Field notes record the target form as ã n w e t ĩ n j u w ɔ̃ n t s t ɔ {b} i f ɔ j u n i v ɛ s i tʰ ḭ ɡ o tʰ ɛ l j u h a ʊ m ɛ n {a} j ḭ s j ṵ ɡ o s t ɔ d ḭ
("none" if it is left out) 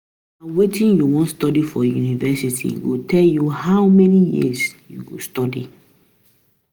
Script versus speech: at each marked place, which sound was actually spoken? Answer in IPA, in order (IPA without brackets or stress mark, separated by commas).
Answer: d, i